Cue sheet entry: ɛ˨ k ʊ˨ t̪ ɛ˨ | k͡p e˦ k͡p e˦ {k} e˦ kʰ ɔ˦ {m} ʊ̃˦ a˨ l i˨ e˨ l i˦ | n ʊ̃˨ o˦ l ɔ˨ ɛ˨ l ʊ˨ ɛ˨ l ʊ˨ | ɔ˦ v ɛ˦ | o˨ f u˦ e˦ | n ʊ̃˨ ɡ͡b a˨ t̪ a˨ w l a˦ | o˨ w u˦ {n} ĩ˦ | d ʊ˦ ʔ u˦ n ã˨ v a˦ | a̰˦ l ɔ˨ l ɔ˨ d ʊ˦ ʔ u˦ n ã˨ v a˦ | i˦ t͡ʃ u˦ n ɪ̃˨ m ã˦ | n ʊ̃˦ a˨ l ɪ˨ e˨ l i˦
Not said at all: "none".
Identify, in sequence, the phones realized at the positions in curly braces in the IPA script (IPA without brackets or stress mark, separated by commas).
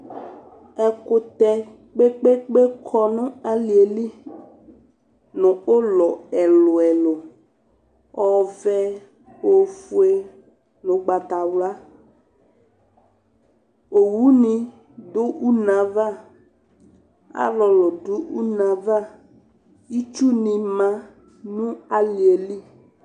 k͡p, n, n